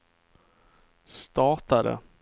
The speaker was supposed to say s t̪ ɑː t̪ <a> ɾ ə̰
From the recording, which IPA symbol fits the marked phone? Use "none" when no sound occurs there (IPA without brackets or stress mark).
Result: a